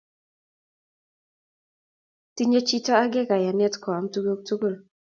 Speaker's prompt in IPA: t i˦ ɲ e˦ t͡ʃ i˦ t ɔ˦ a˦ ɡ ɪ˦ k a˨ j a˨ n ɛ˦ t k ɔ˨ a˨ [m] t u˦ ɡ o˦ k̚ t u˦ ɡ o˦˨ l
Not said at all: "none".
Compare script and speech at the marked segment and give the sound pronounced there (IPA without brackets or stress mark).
m